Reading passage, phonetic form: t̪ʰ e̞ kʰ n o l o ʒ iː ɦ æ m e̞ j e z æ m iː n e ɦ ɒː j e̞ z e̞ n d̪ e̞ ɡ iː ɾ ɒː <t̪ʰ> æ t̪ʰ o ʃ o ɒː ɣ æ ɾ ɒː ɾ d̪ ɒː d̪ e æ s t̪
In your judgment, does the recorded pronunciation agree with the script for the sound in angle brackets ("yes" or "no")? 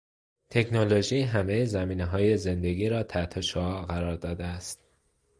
yes